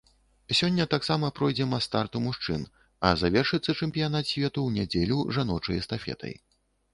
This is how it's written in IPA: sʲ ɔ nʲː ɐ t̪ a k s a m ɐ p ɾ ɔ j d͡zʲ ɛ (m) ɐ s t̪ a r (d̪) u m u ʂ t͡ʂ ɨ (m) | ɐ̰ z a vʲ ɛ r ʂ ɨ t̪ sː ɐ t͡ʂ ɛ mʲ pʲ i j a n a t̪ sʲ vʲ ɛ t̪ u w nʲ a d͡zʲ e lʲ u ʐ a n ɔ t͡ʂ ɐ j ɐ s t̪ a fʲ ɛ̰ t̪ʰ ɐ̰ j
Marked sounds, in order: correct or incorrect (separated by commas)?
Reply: correct, incorrect, incorrect